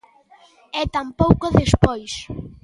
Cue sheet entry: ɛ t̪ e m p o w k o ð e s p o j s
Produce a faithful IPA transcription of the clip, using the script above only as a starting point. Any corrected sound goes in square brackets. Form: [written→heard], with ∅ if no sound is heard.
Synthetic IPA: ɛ t̪ [e→a] m p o w k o ð e s p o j s